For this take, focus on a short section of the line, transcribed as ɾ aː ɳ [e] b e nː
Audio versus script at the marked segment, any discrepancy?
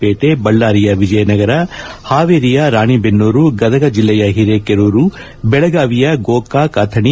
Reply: yes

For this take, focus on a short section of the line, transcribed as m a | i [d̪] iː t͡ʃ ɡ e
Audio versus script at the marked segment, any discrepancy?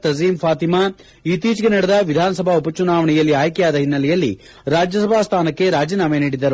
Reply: yes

